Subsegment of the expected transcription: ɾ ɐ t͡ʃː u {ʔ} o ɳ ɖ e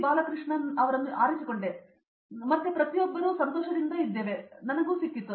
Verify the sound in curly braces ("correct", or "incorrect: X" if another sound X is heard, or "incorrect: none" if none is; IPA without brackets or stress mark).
incorrect: k